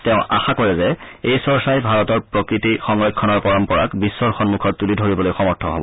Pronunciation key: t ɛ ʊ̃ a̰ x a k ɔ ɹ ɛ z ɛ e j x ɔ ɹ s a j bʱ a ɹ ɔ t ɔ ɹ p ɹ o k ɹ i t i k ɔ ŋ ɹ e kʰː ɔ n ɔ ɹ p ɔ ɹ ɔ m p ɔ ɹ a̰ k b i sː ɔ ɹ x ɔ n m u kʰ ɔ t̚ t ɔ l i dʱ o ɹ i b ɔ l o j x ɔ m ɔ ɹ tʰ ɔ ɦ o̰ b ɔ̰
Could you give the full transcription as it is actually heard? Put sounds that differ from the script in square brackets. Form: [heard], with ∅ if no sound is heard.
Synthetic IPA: t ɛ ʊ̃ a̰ x a k ɔ ɹ ɛ z ɛ e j [s] ɔ ɹ s a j bʱ a ɹ ɔ t ɔ ɹ p ɹ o k ɹ i t i [x] ɔ ŋ ɹ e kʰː ɔ n ɔ ɹ p ɔ ɹ ɔ m p ɔ ɹ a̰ k b i sː ɔ ɹ x ɔ n m u kʰ ɔ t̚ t [u] l i dʱ o ɹ i b ɔ l o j x ɔ m ɔ ɹ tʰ ɔ ɦ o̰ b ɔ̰